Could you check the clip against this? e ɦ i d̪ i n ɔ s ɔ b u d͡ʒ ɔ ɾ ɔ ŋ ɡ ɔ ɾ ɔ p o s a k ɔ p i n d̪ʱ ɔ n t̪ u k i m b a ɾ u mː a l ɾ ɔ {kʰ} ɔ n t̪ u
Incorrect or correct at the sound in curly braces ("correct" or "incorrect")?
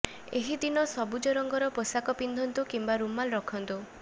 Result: correct